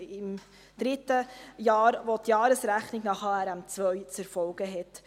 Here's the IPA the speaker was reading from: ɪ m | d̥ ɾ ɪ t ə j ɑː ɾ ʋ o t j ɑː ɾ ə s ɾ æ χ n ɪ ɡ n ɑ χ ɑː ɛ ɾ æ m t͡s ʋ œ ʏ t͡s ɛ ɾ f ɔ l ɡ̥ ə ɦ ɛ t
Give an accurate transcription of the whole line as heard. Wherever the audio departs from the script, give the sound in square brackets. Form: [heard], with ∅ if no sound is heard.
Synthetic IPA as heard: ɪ m | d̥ ɾ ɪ t ə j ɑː ɾ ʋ o t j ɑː ɾ ə s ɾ æ χ n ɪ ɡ n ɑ χ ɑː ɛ ɾ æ m t͡s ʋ œ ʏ t͡s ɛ ɾ f ɔ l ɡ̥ ə ɦ ɛ t